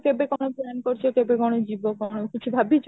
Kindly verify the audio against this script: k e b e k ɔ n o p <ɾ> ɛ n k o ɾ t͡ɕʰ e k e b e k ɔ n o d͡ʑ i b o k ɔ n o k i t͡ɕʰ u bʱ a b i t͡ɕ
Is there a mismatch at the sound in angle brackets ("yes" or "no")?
yes